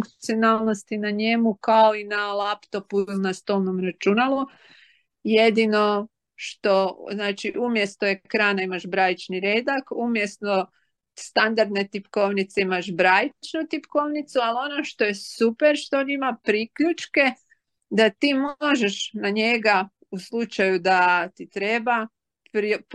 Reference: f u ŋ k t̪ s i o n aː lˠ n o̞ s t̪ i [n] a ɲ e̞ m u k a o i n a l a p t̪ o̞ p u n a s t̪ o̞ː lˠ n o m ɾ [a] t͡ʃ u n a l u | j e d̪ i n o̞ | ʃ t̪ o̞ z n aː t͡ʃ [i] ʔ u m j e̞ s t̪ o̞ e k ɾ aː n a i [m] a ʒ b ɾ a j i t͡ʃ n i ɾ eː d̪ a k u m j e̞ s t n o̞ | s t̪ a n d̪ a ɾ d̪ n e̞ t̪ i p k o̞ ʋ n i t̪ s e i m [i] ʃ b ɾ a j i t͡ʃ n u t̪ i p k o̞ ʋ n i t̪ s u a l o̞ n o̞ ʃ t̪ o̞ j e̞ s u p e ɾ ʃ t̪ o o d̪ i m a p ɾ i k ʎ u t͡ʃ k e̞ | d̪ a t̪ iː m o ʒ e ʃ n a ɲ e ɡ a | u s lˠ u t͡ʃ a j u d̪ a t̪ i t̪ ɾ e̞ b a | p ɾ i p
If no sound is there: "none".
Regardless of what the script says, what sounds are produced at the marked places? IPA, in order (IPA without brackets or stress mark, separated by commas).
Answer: n, a, i, m, a